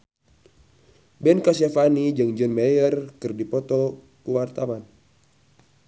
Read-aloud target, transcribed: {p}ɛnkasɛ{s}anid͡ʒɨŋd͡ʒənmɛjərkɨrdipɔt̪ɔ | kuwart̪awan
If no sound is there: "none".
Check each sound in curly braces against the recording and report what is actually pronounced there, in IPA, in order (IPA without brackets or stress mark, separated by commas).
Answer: b, f